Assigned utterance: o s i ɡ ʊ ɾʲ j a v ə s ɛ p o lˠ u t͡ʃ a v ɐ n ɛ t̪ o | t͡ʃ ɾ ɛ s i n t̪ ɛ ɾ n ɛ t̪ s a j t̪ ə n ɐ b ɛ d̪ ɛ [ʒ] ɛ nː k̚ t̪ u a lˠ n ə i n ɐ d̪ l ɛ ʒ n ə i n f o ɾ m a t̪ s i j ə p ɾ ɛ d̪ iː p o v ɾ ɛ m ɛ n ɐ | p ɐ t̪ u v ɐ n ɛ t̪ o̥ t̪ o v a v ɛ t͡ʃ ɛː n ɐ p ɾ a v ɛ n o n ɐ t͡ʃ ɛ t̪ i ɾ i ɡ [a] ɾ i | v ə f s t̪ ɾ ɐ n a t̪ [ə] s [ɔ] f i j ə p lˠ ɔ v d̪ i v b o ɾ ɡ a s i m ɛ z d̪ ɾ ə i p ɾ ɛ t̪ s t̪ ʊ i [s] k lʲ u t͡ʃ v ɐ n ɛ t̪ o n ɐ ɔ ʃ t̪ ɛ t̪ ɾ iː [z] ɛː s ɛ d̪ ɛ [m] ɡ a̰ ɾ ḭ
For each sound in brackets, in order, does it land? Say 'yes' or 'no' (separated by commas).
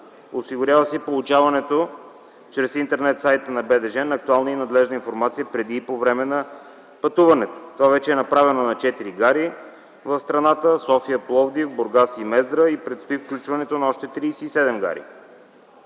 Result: yes, yes, yes, yes, no, no, yes